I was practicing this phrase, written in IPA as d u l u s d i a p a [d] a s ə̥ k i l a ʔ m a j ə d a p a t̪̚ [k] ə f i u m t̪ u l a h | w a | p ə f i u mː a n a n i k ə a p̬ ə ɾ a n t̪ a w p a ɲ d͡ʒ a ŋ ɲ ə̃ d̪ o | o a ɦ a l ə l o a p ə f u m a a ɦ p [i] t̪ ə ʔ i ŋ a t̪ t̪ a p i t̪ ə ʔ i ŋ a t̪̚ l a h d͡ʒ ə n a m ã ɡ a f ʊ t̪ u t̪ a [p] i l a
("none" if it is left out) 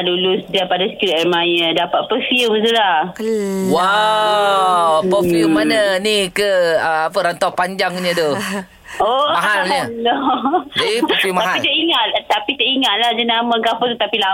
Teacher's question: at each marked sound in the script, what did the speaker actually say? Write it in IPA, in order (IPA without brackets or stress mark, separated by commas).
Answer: d, p, i, p